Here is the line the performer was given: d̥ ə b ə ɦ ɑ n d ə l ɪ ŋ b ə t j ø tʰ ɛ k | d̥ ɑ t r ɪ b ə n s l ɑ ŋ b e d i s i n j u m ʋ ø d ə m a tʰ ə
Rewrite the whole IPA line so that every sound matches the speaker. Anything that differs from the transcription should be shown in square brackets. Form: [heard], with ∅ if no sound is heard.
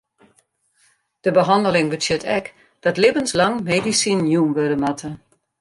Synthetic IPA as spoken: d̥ ə b ə ɦ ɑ n d ə l ɪ ŋ b ə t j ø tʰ ɛ k | d̥ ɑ t [l] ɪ b ə n s l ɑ ŋ [m] e d i s i n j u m ʋ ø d ə m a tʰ ə